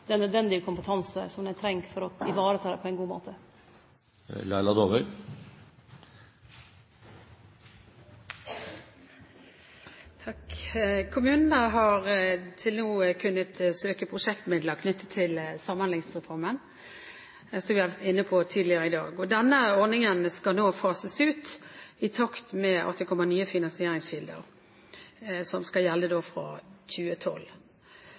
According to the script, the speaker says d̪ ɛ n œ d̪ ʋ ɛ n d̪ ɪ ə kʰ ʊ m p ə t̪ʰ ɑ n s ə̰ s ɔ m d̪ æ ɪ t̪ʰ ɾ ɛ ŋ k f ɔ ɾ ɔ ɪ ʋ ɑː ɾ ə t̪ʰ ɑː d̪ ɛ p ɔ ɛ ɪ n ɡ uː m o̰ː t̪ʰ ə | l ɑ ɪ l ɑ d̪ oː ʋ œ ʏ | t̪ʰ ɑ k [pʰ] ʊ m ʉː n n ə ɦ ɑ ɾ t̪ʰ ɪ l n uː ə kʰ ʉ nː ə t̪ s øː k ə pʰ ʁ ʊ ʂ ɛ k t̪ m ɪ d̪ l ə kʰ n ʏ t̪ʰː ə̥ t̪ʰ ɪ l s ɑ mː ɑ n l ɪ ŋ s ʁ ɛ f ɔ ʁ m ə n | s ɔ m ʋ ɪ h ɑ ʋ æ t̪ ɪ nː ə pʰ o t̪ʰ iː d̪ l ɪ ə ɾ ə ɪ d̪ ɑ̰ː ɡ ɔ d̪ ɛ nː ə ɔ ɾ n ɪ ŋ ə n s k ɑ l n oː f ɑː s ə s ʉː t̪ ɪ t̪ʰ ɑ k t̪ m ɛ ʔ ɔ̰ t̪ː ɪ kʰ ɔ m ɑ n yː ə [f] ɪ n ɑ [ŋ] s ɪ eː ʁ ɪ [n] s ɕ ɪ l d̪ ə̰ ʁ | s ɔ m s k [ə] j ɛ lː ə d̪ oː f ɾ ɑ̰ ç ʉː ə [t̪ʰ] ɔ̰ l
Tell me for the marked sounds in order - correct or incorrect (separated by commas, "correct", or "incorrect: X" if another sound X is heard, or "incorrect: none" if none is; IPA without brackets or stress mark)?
incorrect: kʰ, correct, incorrect: n, incorrect: ŋ, incorrect: ɑ, correct